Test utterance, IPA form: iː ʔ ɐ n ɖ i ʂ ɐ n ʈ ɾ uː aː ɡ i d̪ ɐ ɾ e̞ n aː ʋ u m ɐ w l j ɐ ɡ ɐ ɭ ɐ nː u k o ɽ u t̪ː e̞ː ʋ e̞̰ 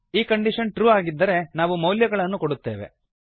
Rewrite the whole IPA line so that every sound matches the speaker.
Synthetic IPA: iː k ɐ ɳ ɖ i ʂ ɐ n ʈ ɾ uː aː ɡ i d̪ː ɐ ɾ e̞ n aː ʋ u m ɐ w l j ɐ ɡ ɐ ɭ ɐ nː u k o ɽ u t̪ː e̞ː ʋ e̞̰